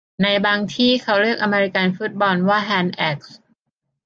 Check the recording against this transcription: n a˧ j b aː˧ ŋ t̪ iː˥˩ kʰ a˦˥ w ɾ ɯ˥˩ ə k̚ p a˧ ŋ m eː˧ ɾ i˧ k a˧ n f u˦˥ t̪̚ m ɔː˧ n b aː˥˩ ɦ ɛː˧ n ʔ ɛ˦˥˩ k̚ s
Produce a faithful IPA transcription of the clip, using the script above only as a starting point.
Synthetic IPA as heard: n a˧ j b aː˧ ŋ t̪ʰ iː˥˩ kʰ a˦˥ w ɾ ɯ˥˩ ə k̚ ʔ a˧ m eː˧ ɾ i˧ k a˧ n f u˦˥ t̪̚ b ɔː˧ n w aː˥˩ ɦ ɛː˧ n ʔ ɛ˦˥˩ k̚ s